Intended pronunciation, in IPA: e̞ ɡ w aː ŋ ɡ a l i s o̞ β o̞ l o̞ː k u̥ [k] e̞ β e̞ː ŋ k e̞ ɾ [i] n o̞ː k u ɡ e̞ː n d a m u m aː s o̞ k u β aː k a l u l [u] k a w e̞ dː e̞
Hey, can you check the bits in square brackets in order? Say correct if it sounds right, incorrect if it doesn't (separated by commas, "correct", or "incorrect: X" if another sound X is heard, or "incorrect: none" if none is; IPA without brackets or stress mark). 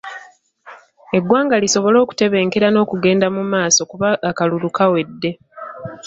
incorrect: t, incorrect: a, correct